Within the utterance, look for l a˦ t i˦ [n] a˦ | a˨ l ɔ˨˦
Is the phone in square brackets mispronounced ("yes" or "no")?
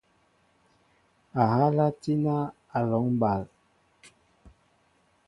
no